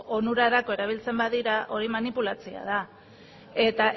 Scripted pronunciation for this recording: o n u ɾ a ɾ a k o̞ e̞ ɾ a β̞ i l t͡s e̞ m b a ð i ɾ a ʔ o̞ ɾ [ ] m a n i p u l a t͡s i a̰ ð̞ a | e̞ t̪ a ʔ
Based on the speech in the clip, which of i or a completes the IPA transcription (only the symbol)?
i